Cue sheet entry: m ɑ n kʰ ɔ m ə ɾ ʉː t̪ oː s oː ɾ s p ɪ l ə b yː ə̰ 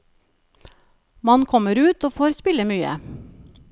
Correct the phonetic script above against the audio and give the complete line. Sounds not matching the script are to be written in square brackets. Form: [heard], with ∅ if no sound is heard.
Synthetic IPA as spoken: m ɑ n kʰ ɔ m ə ɾ ʉː t̪ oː [f] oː ɾ s p ɪ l ə [m] yː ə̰